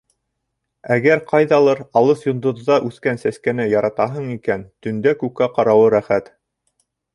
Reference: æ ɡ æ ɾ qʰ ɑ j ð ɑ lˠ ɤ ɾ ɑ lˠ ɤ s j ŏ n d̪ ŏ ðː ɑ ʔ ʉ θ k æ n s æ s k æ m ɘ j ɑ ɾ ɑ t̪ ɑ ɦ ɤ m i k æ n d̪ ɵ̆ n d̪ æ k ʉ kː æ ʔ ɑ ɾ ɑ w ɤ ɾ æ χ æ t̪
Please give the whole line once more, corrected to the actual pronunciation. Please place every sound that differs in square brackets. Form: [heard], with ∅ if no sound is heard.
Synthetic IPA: æ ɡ æ ɾ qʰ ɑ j ð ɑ lˠ ɤ ɾ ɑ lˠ ɤ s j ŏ n d̪ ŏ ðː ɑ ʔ ʉ θ k æ n s æ s k æ [n] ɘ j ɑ ɾ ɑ t̪ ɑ ɦ ɤ [ɴ] i k æ n [t̪] ɵ̆ n d̪ æ k ʉ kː æ [q] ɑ ɾ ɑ w ɤ ɾ æ χ æ t̪